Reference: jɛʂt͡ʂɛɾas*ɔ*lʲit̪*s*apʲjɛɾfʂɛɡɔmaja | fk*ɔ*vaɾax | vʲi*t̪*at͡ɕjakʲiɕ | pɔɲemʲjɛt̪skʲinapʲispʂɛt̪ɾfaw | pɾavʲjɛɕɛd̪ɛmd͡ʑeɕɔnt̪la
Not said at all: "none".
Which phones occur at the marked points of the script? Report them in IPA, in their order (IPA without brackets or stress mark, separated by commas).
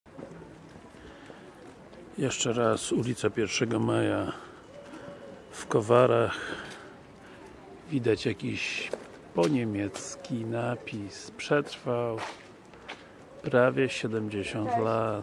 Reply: u, s, ɔ, d̪